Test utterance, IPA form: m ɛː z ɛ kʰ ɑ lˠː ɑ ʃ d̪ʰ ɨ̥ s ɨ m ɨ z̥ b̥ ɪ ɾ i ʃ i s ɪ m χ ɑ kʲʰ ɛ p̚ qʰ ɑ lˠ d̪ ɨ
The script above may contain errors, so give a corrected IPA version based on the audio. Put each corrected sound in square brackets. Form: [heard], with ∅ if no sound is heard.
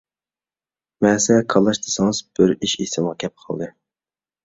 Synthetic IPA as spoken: m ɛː [s] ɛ kʰ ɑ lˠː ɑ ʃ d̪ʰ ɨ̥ s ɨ [ŋ] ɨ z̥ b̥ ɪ ɾ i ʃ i s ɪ m [ʁ] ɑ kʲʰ ɛ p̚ qʰ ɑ lˠ d̪ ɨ